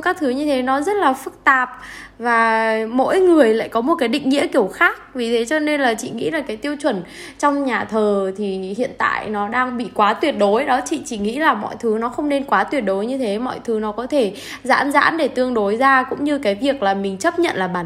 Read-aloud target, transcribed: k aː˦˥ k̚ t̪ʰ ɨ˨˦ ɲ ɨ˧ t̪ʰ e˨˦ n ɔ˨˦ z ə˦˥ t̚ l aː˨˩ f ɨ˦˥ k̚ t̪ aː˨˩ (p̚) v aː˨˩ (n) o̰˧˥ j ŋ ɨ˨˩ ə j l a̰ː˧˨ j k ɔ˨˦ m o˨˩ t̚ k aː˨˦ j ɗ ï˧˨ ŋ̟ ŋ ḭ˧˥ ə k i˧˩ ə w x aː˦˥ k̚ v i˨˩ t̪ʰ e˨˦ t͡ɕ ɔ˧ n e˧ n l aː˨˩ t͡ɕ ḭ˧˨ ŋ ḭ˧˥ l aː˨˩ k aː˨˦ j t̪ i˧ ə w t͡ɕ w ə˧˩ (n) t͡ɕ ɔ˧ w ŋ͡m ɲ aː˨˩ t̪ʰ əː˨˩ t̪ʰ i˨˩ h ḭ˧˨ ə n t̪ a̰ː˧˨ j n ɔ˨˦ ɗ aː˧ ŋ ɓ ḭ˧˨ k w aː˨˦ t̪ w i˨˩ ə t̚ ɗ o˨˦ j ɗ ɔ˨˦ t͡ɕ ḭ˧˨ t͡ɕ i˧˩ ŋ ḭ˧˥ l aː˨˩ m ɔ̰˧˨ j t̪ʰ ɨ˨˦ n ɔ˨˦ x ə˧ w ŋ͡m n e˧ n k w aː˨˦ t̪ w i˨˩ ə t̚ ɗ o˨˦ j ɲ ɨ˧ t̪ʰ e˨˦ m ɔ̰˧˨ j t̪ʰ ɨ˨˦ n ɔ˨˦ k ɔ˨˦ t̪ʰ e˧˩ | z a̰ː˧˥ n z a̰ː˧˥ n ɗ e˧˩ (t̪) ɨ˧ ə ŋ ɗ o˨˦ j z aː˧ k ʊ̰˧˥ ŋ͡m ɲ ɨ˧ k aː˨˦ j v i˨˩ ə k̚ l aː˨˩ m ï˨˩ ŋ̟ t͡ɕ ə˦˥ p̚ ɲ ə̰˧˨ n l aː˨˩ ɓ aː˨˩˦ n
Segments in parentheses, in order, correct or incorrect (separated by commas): correct, incorrect, correct, correct